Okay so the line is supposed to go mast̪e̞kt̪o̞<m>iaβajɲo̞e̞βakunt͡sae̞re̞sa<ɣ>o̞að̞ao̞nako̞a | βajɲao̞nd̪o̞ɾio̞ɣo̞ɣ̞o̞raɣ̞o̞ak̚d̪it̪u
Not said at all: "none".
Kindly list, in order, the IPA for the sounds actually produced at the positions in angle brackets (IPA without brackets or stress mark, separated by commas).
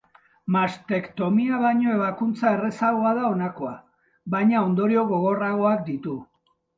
m, ɣ